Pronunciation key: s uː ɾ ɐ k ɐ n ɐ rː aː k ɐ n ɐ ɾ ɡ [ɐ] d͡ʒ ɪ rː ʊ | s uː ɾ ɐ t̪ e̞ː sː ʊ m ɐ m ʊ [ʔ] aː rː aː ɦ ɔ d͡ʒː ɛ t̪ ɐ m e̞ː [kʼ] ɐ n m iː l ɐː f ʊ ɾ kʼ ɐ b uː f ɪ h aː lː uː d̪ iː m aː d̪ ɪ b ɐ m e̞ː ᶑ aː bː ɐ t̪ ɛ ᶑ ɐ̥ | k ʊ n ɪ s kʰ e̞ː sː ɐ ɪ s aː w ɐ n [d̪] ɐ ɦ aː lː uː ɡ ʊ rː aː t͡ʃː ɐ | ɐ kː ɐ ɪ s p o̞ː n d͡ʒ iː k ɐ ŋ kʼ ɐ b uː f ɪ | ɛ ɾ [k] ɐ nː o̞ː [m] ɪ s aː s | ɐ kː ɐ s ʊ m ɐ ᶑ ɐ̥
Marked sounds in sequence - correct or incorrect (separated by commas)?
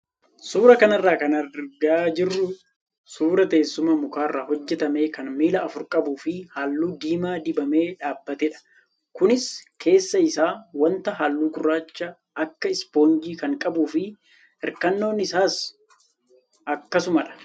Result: incorrect, incorrect, incorrect, incorrect, correct, incorrect